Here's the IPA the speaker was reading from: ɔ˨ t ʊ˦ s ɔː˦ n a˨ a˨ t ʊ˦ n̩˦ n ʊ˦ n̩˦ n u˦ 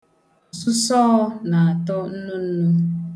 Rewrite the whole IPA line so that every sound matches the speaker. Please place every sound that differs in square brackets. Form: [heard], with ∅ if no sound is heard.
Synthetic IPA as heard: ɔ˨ [s] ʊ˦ s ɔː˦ n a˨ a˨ t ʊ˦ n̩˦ n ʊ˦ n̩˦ n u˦

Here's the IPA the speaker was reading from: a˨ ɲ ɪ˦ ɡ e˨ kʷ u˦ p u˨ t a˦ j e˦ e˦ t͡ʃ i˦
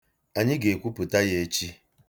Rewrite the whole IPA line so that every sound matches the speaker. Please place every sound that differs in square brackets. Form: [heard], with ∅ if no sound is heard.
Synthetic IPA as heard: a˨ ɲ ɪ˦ ɡ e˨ kʷ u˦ p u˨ t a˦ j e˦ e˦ t͡ʃ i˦

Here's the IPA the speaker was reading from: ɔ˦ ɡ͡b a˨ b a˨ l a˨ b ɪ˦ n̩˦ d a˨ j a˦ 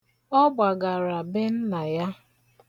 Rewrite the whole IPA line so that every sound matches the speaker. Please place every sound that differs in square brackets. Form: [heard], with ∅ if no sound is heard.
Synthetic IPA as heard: ɔ˦ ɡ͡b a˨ [ɡ] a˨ [ɾ] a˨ b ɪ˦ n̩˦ [n] a˨ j a˦

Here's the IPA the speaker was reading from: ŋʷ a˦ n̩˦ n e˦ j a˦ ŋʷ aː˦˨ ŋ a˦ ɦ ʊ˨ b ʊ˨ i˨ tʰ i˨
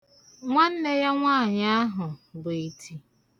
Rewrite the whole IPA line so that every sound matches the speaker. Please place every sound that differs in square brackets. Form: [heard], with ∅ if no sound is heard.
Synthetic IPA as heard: ŋʷ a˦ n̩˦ n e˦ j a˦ ŋʷ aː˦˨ [ɲ] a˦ ɦ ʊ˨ b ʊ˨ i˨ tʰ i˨

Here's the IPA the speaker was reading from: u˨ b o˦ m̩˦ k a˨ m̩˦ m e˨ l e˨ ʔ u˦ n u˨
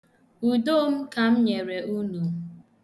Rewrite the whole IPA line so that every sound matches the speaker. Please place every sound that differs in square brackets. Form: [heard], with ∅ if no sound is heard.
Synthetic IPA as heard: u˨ [d] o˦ m̩˦ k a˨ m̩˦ [ɲ] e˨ [ɾ] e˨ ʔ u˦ n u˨

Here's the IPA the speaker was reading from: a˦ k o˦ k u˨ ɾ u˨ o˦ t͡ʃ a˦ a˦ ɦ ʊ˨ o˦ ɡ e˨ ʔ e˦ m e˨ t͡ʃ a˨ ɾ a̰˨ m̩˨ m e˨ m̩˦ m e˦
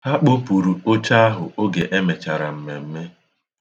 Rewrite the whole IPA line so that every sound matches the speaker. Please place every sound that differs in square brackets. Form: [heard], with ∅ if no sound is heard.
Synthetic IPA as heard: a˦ [k͡p] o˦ [p] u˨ ɾ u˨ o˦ t͡ʃ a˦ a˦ ɦ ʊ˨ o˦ ɡ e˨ ʔ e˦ m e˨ t͡ʃ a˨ ɾ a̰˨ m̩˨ m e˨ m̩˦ m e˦

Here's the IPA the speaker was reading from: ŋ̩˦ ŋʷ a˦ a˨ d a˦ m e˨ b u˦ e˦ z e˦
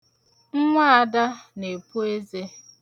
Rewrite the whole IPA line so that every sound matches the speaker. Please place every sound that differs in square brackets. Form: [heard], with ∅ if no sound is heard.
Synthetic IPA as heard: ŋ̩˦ ŋʷ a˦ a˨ d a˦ [n] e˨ [p] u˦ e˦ z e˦

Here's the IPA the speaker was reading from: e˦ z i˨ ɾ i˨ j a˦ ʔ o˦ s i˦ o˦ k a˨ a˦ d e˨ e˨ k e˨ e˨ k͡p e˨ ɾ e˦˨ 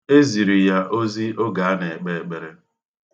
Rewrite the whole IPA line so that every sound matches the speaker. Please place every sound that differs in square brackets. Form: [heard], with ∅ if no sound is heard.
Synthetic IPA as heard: e˦ z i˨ ɾ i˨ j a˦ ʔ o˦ [z] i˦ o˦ [ɡ] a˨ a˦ [n] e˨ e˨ [k͡p] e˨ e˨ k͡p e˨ ɾ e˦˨

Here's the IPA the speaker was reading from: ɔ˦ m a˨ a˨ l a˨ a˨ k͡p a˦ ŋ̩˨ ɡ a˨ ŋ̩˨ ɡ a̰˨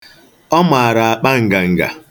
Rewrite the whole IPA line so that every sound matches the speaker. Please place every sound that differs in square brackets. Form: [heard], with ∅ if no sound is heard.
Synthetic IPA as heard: ɔ˦ m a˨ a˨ [ɾ] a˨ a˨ k͡p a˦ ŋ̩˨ ɡ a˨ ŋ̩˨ ɡ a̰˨

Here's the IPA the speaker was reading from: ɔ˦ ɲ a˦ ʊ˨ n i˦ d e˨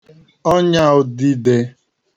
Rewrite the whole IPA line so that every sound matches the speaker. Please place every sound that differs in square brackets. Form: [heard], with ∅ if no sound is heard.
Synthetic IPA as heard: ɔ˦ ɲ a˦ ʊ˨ [d] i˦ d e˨

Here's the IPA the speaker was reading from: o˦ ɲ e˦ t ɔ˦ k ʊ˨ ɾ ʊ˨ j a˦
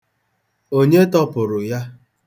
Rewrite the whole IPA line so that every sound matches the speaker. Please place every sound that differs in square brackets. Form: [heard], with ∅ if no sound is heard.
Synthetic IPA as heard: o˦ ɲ e˦ t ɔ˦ [p] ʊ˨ ɾ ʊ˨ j a˦

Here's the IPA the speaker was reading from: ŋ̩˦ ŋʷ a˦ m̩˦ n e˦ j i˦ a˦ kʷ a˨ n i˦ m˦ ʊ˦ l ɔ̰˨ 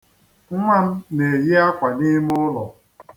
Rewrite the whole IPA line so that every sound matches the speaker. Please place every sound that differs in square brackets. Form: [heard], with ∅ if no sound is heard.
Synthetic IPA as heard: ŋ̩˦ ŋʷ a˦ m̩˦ n [e˨] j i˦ a˦ kʷ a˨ n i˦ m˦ ʊ˦ l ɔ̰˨

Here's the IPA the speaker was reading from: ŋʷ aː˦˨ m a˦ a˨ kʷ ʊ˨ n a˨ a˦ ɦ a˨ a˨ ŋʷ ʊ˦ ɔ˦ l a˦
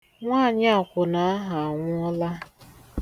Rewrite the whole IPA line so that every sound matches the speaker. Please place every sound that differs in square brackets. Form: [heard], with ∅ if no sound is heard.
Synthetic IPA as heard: ŋʷ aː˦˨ [ɲ] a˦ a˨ kʷ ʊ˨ n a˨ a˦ ɦ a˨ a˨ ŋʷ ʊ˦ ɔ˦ l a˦

